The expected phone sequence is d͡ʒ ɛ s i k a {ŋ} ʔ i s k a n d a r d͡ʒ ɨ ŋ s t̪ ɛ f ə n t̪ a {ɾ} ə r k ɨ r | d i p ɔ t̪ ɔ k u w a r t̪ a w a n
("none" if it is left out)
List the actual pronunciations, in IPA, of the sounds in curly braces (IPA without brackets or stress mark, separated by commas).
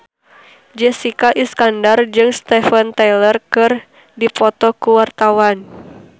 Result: none, l